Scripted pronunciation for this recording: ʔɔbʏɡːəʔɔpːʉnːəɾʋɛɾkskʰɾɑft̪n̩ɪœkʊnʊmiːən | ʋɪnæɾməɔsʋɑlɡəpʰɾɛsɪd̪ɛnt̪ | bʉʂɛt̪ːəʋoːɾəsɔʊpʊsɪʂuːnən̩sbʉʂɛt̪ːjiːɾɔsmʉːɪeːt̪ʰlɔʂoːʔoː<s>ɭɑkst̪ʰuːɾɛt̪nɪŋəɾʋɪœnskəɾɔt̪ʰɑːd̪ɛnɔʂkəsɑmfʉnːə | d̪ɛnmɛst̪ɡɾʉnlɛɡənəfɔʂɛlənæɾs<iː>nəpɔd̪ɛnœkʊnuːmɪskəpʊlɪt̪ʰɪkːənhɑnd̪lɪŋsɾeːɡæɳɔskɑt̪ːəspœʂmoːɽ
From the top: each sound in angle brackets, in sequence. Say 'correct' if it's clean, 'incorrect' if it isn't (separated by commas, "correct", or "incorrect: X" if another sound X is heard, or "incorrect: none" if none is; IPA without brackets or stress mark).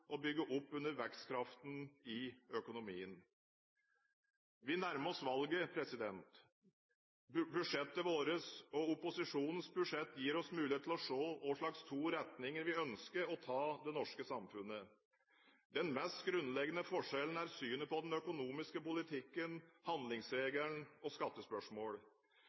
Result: incorrect: ʂ, incorrect: yː